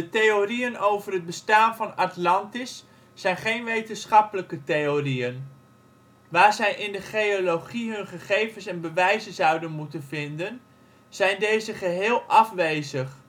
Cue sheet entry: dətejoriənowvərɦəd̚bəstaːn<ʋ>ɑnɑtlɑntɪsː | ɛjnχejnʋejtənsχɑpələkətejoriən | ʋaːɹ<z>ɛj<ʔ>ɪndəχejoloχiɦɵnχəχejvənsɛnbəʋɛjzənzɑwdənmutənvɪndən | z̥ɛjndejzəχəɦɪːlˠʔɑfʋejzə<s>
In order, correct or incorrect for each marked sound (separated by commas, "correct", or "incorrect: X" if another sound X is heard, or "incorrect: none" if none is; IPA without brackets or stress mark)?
incorrect: v, correct, correct, incorrect: χ